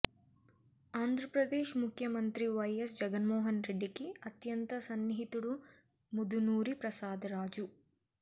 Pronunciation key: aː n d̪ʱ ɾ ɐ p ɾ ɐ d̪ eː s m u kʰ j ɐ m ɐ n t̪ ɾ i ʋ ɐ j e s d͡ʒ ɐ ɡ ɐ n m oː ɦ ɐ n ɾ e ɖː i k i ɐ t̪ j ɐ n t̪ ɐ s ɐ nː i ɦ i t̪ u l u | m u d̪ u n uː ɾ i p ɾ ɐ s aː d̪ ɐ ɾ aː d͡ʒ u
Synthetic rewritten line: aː n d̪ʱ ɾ ɐ p ɾ ɐ d̪ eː ʃ m u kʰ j ɐ m ɐ n t̪ ɾ i ʋ ɐ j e s d͡ʒ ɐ ɡ ɐ n m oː ɦ ɐ n ɾ e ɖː i k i ɐ t̪ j ɐ n t̪ ɐ s ɐ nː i ɦ i t̪ u ɽ u | m u d̪ u n uː ɾ i p ɾ ɐ s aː d̪ ɐ ɾ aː d͡ʒ u